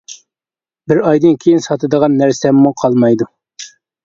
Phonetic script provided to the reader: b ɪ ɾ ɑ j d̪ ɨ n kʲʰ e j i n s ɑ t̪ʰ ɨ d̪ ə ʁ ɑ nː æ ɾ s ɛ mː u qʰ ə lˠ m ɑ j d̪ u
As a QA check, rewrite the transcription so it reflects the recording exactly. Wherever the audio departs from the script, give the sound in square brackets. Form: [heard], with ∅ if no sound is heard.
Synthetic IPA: b ɪ ɾ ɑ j d̪ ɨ n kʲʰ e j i n s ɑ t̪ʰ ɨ d̪ ə ʁ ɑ nː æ ɾ s ɛ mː u qʰ [ɑ] lˠ m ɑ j d̪ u

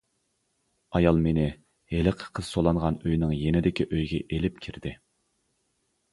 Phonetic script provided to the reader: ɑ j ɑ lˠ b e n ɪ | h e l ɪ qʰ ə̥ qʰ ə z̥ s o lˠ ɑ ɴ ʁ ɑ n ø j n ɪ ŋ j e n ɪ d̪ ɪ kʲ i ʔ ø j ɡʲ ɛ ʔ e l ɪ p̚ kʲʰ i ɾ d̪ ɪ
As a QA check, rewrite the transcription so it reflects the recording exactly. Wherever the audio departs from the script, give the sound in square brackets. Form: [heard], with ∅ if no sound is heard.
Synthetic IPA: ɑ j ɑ lˠ [m] e n ɪ | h e l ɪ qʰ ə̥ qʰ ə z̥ s o lˠ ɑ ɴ ʁ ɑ n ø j n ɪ ŋ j e n ɪ d̪ ɪ kʲ i ʔ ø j ɡʲ ɛ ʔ e l ɪ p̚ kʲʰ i ɾ d̪ ɪ

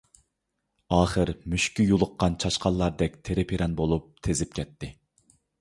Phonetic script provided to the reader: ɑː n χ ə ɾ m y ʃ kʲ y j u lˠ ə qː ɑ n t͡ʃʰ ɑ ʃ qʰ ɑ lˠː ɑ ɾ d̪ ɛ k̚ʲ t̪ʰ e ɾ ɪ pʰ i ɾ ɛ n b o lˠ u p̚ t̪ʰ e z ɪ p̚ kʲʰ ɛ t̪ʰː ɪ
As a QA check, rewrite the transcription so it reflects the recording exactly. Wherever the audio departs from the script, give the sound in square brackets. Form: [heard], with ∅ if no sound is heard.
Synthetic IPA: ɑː [∅] χ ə ɾ m y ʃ kʲ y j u lˠ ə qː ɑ n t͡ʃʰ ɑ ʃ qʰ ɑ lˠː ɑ ɾ d̪ ɛ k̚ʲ t̪ʰ e ɾ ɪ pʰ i ɾ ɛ n b o lˠ u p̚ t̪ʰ e z ɪ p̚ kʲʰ ɛ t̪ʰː ɪ

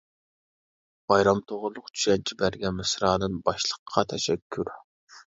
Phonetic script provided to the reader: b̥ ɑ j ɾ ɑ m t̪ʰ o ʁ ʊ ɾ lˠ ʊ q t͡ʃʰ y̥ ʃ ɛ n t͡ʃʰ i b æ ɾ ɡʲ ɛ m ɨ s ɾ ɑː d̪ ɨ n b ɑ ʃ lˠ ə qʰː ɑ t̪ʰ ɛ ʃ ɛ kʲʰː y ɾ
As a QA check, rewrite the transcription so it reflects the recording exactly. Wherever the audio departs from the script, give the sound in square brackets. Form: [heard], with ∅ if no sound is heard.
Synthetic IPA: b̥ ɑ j ɾ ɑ m t̪ʰ o ʁ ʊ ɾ lˠ ʊ q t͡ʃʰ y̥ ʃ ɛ n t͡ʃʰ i b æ ɾ ɡʲ ɛ m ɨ s ɾ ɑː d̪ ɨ n b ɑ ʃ lˠ ə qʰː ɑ t̪ʰ ɛ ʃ ɛ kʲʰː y ɾ

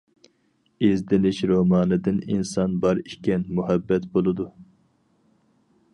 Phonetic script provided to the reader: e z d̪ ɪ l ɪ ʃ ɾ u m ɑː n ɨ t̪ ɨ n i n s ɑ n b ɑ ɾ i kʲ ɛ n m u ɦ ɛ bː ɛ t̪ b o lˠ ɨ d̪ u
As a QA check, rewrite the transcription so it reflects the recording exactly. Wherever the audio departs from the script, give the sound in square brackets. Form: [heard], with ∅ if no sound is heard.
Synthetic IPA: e z d̪ ɪ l ɪ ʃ ɾ [o] m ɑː n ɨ [d̪] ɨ n i n s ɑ n b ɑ ɾ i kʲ ɛ n m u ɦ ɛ bː ɛ t̪ b o lˠ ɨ d̪ u

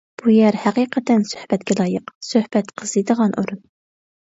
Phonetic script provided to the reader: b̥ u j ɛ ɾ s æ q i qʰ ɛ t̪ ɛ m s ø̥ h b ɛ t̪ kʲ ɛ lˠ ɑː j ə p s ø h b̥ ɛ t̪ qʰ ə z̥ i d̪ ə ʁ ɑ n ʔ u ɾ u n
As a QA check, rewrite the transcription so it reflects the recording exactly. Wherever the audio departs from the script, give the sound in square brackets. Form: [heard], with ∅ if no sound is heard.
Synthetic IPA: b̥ u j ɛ ɾ [h] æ q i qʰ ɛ t̪ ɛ [n] s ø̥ h b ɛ t̪ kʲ ɛ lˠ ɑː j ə [q] s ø h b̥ ɛ t̪ qʰ ə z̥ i d̪ ə ʁ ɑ n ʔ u ɾ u n

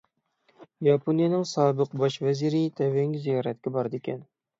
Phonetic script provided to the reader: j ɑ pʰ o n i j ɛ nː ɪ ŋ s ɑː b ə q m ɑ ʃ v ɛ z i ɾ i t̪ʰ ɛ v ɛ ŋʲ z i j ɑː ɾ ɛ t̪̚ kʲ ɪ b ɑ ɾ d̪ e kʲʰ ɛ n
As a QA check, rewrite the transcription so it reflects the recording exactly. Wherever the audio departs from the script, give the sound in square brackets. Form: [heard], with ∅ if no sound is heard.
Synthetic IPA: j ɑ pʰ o n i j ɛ [n] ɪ ŋ s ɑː b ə q [b] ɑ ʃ v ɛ z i ɾ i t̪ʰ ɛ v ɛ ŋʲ z i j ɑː ɾ ɛ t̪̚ kʲ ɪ b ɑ ɾ d̪ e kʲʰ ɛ n

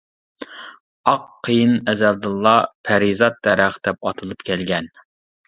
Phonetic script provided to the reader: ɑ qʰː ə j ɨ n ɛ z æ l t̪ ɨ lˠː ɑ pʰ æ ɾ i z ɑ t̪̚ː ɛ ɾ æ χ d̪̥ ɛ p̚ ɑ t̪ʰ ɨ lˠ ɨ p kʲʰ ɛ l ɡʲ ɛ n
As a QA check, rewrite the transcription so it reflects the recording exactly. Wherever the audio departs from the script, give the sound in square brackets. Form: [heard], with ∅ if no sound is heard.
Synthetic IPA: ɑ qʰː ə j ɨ n ɛ z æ l [d̪] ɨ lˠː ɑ pʰ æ ɾ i z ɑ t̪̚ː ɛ ɾ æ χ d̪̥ ɛ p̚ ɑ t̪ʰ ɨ lˠ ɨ p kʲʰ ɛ l ɡʲ ɛ n

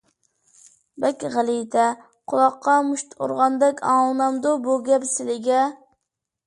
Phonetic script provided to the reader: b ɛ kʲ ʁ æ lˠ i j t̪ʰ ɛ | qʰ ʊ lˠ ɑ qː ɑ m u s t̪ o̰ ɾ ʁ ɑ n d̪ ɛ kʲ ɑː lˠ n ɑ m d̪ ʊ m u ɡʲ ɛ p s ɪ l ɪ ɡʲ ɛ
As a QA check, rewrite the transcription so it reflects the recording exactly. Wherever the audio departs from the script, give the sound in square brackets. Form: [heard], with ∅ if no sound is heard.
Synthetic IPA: b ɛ kʲ ʁ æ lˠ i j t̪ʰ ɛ | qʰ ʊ lˠ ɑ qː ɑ m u [ʃ] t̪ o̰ ɾ ʁ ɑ n d̪ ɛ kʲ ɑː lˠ n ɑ m d̪ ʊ [b] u ɡʲ ɛ p s ɪ l ɪ ɡʲ ɛ

